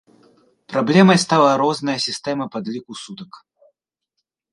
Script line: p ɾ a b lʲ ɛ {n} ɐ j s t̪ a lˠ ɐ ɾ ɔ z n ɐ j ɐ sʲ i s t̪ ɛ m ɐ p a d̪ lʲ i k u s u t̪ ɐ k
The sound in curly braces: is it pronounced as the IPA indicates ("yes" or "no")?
no